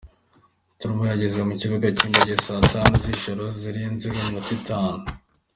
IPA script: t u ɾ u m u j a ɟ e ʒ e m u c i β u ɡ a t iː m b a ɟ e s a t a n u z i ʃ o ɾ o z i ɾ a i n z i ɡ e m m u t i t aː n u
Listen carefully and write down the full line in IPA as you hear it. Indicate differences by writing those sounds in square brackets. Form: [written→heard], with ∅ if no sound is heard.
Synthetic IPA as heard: t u ɾ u m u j a ɟ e [ʒ→z] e m u c i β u ɡ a [t→c] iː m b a ɟ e s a t a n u z i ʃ o ɾ o z i ɾ [a→i] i n z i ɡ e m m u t i t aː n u